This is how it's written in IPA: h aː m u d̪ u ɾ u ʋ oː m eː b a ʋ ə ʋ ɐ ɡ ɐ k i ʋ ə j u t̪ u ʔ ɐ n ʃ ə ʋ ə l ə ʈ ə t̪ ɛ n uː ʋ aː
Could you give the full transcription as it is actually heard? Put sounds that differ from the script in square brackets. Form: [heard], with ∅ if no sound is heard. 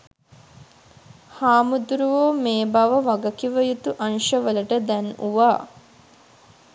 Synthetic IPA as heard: h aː m u d̪ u ɾ u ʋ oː m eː b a ʋ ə ʋ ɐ ɡ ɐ k i ʋ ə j u t̪ u ʔ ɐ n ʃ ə ʋ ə l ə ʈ ə [d̪] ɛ n [u] ʋ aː